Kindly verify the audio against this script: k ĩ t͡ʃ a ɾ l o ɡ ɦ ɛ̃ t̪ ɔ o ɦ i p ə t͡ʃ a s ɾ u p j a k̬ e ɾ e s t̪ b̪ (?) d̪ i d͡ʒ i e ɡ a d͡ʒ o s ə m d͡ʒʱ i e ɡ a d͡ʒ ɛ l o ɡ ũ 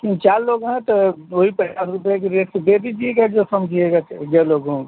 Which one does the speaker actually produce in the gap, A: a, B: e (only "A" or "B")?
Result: B